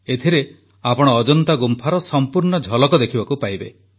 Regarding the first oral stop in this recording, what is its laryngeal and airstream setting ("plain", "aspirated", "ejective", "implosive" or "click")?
aspirated